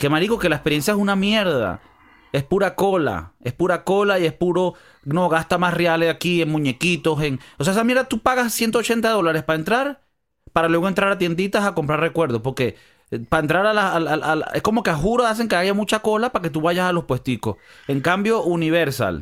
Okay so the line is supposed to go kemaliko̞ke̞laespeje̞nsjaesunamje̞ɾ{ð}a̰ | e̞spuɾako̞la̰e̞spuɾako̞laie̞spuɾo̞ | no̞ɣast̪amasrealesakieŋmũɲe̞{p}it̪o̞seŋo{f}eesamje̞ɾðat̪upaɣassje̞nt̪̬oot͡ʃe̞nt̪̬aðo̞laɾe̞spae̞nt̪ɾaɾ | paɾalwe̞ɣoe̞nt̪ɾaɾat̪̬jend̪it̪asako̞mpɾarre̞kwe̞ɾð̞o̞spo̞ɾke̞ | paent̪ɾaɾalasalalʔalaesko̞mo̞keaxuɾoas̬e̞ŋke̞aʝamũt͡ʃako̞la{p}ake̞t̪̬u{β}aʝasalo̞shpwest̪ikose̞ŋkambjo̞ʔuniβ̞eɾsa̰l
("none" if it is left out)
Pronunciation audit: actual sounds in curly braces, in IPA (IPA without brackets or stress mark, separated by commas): ð, k, s, p, β